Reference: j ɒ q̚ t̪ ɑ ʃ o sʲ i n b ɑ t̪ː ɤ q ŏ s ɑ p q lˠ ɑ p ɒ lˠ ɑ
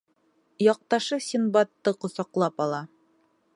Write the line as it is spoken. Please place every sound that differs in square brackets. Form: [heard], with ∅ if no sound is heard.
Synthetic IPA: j ɒ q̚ t̪ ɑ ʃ [ɤ] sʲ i n b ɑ t̪ː ɤ q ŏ s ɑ [∅] q lˠ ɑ p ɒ lˠ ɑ